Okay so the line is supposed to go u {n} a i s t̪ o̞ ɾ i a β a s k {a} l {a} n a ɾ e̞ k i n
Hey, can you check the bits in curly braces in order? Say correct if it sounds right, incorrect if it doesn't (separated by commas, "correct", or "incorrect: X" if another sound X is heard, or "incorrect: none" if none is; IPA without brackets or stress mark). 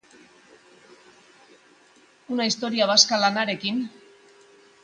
correct, correct, correct